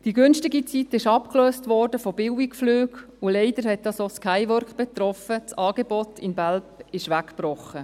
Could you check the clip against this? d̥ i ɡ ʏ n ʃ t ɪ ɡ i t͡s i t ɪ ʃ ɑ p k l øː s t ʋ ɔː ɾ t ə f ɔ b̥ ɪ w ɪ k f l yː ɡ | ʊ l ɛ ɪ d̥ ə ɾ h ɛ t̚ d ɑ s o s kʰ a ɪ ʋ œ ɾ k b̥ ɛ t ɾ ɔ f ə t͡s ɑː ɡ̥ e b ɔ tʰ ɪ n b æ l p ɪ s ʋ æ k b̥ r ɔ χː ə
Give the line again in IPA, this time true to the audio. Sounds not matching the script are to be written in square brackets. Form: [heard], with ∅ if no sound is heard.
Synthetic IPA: d̥ i ɡ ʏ n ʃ t ɪ ɡ i t͡s i t ɪ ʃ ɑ p k l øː s t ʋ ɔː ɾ [d] ə f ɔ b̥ ɪ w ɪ k f l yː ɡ | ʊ l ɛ ɪ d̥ ə ɾ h ɛ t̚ d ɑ s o s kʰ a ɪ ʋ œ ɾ k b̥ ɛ t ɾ ɔ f ə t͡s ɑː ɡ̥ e b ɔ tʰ ɪ n b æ l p ɪ [ʃ] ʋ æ k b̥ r ɔ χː ə